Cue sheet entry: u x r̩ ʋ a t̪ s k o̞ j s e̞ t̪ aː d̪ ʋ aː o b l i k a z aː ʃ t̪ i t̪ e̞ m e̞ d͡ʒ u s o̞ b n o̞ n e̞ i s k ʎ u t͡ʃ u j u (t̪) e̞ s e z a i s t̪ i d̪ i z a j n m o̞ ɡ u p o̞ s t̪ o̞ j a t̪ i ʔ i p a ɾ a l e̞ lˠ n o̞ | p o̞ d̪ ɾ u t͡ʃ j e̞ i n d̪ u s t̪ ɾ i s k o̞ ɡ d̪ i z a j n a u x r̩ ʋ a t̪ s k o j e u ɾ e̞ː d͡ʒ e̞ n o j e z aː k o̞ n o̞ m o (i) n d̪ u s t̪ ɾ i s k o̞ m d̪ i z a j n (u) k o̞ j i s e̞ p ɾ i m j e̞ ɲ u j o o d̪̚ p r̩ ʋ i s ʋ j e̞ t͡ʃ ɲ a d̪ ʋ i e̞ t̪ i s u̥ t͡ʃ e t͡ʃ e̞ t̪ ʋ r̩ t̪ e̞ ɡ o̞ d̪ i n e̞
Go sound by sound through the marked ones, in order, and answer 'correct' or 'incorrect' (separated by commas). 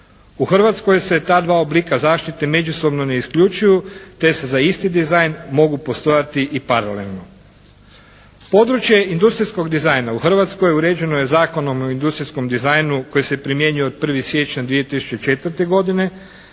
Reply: correct, correct, correct